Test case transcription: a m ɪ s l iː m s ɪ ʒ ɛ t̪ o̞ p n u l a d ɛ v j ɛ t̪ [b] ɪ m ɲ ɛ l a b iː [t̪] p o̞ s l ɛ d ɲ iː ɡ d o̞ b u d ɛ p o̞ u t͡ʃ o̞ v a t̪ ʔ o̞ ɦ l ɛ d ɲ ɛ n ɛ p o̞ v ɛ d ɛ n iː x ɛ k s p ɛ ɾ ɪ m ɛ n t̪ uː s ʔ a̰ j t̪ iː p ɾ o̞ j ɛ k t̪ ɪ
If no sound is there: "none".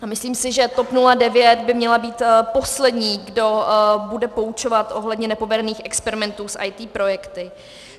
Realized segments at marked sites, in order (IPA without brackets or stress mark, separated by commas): b, t̪